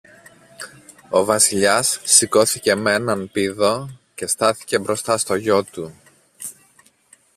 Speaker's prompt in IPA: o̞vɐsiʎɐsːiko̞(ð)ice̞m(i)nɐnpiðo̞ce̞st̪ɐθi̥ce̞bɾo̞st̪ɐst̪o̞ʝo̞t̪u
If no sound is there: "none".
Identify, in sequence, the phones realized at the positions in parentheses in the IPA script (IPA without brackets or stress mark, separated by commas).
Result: θ, e